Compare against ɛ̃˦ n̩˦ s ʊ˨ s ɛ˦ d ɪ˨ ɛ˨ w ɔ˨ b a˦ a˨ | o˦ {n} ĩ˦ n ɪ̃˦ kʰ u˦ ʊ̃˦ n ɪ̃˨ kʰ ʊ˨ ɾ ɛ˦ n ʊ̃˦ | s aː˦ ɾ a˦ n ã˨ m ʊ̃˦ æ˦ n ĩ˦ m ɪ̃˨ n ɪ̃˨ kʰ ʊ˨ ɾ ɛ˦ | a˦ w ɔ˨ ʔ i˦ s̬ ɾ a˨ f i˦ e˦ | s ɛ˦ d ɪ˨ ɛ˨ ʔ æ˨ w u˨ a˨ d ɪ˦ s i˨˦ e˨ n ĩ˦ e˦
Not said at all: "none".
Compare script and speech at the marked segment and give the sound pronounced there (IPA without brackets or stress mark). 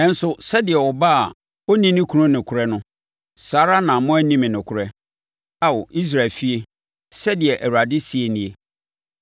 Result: n